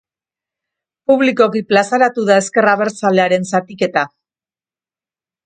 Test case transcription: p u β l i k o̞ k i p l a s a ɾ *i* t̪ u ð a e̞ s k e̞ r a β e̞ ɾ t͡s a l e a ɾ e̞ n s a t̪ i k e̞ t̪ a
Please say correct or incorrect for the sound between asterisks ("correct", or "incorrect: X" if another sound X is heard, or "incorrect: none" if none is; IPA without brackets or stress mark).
incorrect: a